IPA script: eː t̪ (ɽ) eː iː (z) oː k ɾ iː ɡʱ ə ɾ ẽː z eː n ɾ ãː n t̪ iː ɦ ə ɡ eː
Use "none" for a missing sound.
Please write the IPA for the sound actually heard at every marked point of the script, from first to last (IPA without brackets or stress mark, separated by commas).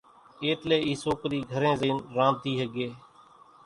l, s